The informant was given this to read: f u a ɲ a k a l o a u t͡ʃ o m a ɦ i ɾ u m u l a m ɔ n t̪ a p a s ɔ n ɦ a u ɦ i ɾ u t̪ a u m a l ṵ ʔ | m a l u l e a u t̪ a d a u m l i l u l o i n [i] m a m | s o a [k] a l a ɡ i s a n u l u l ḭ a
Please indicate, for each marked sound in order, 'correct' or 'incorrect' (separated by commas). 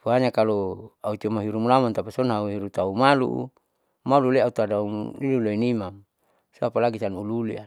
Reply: correct, incorrect